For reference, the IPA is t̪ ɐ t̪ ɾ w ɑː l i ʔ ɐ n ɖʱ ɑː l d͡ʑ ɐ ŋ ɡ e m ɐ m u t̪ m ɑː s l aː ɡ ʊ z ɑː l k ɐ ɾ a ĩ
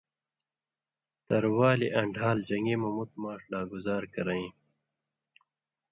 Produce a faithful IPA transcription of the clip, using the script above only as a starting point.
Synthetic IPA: t̪ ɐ ɾ w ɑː l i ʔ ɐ ɳ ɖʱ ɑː l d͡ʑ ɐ ŋ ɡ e m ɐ m u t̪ m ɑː ʂ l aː ɡ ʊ z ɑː ɾ k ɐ ɾ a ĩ